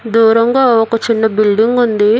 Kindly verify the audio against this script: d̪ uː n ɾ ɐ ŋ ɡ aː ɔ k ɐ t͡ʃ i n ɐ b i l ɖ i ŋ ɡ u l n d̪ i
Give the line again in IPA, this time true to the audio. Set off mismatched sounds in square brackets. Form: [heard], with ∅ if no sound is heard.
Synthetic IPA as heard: d̪ uː [∅] ɾ ɐ ŋ ɡ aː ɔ k ɐ t͡ʃ i [nː] ɐ b i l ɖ i ŋ ɡ u [∅] n d̪ i